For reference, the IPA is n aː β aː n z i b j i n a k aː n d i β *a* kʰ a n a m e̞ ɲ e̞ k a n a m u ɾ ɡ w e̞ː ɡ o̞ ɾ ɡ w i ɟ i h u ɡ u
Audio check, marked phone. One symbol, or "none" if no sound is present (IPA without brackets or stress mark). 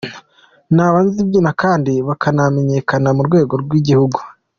a